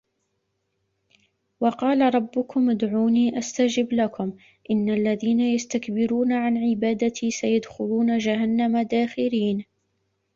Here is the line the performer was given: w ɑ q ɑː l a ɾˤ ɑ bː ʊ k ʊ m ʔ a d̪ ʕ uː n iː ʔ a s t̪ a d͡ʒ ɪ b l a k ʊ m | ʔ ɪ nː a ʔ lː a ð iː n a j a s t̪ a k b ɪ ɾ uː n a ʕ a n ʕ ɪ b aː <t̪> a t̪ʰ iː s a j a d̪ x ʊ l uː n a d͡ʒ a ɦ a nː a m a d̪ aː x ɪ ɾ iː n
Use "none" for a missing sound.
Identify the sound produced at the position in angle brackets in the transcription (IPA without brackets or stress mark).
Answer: d̪